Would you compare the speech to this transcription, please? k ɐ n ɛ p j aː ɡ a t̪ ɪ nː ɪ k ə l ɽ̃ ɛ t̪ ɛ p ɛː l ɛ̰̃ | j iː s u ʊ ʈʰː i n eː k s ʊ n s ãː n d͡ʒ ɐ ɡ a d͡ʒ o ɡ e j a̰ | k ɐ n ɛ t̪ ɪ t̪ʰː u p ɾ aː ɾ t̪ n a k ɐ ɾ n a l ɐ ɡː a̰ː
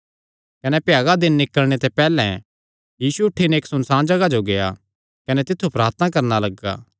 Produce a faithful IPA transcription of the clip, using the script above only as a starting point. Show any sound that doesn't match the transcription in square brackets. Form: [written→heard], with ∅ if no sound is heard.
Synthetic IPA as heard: k ɐ n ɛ p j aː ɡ a [t̪→d̪] ɪ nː ɪ k ə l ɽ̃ [ɛ→e] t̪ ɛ p ɛː l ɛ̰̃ | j iː s u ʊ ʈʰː i n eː k s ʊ n s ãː n d͡ʒ ɐ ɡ a d͡ʒ o ɡ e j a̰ | k ɐ n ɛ t̪ ɪ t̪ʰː u p ɾ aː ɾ t̪ n a k ɐ ɾ n a l ɐ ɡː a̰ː